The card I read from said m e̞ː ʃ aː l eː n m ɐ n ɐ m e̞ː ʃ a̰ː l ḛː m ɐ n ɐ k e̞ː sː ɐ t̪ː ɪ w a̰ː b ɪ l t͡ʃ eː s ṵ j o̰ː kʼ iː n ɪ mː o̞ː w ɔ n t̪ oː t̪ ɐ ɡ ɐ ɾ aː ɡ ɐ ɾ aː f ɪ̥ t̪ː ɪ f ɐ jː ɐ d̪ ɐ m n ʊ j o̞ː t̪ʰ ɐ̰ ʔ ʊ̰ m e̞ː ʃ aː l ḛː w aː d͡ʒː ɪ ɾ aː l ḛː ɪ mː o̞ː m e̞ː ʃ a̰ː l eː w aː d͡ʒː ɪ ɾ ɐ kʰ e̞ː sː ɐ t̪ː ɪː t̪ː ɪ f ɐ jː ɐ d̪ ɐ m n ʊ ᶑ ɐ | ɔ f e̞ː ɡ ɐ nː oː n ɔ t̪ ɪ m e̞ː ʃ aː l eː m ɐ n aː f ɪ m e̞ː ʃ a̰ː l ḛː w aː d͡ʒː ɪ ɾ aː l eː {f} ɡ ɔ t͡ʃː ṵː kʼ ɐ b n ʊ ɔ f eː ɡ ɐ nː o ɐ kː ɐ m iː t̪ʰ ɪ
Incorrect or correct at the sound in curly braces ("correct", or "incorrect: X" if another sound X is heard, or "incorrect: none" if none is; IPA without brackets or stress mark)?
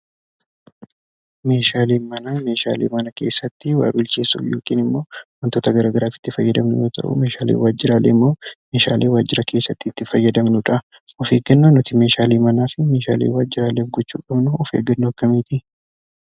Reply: correct